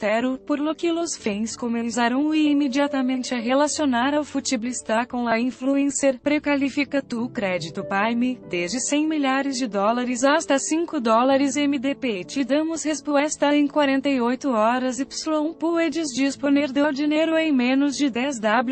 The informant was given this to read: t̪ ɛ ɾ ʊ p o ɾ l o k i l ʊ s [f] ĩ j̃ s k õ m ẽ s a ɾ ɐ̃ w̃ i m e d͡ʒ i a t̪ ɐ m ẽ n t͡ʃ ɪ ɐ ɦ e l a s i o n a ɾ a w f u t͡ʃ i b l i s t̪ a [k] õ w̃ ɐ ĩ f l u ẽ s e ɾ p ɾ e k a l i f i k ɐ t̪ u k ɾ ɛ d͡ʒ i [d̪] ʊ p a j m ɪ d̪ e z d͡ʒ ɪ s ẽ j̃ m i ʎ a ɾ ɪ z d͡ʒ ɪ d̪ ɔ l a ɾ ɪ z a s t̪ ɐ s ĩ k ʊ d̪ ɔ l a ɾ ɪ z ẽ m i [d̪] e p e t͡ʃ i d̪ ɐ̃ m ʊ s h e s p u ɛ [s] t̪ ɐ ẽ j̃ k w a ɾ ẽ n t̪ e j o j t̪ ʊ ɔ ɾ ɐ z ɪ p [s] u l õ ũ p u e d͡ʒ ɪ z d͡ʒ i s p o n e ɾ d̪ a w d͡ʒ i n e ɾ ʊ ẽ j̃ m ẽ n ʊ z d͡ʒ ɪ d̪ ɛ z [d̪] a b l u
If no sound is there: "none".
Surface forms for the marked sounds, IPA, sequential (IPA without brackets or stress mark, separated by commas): f, k, t̪, d̪, s, s, d̪